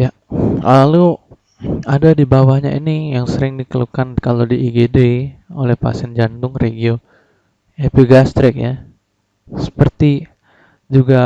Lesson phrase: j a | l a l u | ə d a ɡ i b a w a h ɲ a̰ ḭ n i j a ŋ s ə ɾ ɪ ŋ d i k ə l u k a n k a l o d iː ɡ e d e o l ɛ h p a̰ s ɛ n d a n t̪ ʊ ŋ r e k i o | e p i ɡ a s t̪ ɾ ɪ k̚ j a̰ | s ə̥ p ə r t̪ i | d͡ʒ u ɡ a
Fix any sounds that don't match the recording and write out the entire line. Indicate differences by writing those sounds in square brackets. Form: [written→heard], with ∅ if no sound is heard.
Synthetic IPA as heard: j a | l a l u | [ə→a] d a [ɡ→d] i b a w a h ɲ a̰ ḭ n i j a ŋ s ə ɾ ɪ ŋ d i k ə l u k a n k a l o d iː ɡ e d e o l ɛ h p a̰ s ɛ n [d→d͡ʒ] a n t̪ ʊ ŋ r e [k→ɡ] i o | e p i ɡ a s t̪ ɾ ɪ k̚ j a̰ | s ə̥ p ə r t̪ i | d͡ʒ u ɡ a